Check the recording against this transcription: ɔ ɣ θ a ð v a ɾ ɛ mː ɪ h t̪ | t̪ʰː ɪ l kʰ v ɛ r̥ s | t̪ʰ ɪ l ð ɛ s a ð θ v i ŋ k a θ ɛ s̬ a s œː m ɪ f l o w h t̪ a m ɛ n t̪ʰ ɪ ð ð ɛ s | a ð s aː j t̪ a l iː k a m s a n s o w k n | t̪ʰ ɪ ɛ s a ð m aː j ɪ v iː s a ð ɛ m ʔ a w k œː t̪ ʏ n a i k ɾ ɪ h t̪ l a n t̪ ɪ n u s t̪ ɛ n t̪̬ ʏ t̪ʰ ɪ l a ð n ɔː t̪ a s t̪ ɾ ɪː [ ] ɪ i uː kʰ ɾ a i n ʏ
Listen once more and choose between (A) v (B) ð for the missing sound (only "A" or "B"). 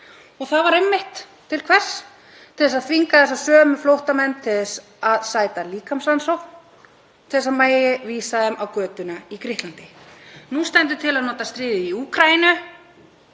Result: B